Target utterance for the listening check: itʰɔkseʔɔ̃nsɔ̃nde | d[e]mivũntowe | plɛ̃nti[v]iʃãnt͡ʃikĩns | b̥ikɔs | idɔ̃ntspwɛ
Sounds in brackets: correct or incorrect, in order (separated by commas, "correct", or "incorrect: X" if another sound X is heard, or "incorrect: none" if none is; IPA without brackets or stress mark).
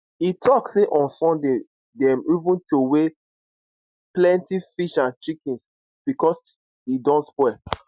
incorrect: ɛ, incorrect: f